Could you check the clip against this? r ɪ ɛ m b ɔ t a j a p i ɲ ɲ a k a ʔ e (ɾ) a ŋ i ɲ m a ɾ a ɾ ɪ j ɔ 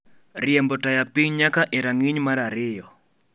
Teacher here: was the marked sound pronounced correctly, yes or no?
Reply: yes